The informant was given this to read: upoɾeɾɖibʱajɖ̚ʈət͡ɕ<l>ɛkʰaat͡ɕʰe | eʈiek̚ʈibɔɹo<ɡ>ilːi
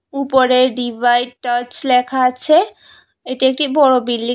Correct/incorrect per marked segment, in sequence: correct, incorrect: b

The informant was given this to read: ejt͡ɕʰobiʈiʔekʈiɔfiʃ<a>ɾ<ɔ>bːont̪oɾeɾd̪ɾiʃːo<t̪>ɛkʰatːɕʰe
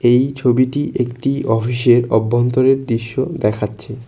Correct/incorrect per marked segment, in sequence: incorrect: e, correct, incorrect: d̪

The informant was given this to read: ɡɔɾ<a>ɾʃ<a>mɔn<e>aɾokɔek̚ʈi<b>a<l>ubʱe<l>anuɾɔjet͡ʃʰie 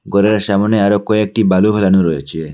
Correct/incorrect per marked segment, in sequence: incorrect: e, correct, correct, correct, correct, correct

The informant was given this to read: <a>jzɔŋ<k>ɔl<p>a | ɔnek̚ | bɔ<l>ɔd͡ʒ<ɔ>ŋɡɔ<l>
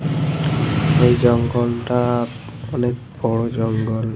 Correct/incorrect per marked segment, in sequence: incorrect: e, incorrect: ɡ, incorrect: t, incorrect: ɹ, correct, correct

